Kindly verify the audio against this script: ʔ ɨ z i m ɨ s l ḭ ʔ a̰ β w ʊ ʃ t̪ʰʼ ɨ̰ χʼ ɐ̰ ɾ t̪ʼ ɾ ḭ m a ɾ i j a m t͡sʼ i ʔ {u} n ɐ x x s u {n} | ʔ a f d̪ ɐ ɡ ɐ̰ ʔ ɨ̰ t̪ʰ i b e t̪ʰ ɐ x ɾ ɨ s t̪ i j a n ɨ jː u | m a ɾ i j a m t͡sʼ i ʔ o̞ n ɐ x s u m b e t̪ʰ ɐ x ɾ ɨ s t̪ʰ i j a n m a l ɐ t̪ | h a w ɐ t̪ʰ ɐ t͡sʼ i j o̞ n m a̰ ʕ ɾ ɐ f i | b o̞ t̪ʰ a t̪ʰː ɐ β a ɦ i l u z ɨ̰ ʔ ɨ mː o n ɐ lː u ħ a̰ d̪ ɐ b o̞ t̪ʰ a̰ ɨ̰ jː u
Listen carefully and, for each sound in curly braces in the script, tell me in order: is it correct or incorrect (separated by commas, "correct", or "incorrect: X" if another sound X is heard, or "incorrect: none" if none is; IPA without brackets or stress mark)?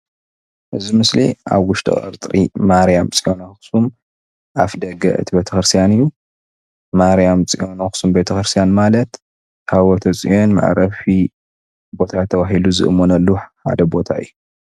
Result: incorrect: o, incorrect: m